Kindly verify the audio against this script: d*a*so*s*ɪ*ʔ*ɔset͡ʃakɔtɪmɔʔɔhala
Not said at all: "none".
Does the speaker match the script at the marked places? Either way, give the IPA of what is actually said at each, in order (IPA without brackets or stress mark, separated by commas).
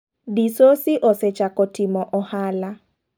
i, s, ʔ